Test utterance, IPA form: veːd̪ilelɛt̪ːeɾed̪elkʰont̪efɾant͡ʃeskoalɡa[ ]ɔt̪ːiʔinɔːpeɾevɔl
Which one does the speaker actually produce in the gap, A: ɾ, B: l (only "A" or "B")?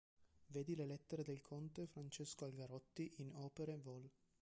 A